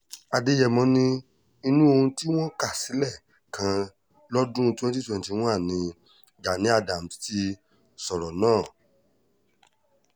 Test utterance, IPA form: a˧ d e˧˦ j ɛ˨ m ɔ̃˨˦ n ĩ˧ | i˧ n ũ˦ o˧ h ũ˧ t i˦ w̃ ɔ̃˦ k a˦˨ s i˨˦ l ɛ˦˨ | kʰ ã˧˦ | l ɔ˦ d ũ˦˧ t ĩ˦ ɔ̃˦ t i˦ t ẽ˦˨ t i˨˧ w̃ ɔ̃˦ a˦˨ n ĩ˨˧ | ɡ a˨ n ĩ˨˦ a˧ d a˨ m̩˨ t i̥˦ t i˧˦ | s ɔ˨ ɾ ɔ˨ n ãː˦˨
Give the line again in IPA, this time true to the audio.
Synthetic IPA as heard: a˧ d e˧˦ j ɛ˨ m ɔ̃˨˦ n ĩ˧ | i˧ n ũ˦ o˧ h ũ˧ t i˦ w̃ ɔ̃˦ k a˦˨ s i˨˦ l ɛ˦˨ | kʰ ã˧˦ | l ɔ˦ d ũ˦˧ t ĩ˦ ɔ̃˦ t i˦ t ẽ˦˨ t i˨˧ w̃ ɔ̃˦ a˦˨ n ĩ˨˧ | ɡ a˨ n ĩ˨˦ a˧ d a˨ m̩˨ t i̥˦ t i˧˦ | s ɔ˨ ɾ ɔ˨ n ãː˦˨